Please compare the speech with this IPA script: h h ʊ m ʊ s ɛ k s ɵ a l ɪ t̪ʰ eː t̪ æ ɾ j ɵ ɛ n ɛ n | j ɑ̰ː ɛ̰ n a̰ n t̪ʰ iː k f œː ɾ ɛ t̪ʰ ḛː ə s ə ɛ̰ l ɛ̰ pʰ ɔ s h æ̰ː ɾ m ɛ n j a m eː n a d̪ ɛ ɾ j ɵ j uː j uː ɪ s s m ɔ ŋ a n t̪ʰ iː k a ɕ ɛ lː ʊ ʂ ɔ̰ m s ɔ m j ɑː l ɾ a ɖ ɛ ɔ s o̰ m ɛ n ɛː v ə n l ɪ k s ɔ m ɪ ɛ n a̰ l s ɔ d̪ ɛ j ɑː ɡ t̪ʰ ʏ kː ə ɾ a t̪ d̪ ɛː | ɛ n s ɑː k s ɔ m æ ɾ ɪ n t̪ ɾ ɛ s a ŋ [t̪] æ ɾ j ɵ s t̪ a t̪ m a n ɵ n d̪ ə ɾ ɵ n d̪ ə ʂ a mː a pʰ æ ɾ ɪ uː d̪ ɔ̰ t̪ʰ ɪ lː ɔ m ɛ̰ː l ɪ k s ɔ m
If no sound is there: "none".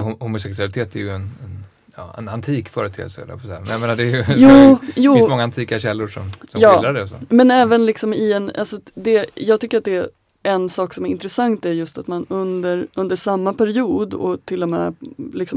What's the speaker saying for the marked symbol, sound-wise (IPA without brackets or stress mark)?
t̪